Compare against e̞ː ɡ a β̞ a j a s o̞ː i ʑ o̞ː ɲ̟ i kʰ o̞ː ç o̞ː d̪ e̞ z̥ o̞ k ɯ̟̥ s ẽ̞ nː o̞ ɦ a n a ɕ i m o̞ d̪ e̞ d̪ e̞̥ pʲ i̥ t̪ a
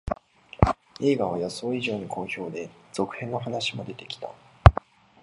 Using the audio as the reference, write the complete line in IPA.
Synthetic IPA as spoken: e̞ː ɡ a β̞ a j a s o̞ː i ʑ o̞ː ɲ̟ i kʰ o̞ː ç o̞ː d̪ e̞ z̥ o̞ k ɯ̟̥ h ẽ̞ nː o̞ ɦ a n a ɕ i m o̞ d̪ e̞ t̪ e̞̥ kʲ i̥ t̪ a